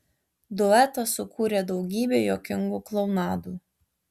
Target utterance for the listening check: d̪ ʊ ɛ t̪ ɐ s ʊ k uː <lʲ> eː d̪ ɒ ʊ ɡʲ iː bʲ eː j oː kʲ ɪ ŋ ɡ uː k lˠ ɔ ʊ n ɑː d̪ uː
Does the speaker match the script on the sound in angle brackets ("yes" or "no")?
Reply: no